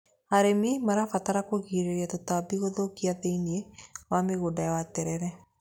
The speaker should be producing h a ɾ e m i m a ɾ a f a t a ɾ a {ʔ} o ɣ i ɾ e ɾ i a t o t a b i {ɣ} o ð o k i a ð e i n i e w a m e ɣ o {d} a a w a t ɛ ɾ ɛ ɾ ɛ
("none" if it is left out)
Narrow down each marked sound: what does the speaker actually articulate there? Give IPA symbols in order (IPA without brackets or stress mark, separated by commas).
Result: k, ɣ, d